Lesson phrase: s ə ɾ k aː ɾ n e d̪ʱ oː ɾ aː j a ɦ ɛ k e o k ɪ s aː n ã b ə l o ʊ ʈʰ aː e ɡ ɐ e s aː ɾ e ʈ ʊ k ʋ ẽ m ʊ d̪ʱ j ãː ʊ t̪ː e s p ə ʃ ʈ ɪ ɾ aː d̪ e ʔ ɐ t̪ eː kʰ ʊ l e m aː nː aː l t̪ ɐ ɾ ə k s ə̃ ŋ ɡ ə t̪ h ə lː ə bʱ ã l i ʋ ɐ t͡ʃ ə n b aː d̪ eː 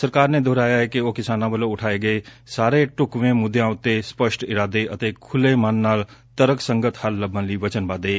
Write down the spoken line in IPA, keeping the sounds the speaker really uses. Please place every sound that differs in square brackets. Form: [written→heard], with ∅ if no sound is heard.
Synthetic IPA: s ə ɾ k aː ɾ n e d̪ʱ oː ɾ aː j a ɦ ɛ k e o k ɪ s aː n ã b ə l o ʊ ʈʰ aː e ɡ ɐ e s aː ɾ e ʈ ʊ k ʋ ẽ m ʊ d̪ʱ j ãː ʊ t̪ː e s p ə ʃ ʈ ɪ ɾ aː d̪ e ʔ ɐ t̪ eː kʰ ʊ l e m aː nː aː l t̪ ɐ ɾ ə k s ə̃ ŋ ɡ ə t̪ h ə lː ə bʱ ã l i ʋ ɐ t͡ʃ ə n b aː d̪ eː